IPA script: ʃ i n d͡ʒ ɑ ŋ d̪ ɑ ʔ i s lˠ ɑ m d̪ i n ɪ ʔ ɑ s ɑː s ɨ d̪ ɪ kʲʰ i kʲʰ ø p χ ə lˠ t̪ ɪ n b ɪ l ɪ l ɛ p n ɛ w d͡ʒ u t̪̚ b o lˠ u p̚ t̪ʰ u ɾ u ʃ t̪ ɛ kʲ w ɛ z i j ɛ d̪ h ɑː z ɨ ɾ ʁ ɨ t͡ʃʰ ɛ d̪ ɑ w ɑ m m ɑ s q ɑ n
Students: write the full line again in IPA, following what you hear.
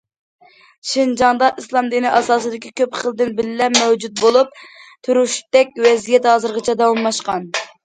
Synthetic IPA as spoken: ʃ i n d͡ʒ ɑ ŋ d̪ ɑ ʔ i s lˠ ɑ m d̪ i n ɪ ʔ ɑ s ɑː s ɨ d̪ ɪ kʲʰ i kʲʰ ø p χ ə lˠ d̪ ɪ n b ɪ l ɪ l ɛ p m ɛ w d͡ʒ u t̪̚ b o lˠ u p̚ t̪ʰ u ɾ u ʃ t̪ ɛ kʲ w ɛ z i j ɛ t̪ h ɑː z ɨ ɾ ʁ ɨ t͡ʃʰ ɛ d̪ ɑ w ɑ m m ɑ ʃ q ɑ n